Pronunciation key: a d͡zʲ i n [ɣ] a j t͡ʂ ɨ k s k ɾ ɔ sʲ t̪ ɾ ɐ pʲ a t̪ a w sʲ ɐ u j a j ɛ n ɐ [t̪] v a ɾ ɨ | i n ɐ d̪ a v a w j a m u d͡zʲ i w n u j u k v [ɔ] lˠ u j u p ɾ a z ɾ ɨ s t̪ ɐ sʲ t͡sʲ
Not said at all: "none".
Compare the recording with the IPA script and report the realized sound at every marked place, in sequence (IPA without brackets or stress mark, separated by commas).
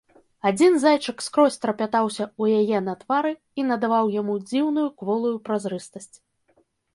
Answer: z, t̪, ɔ